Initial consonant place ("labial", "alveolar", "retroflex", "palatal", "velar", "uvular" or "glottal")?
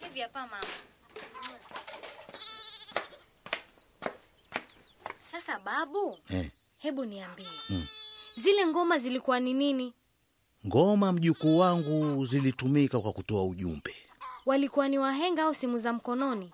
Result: glottal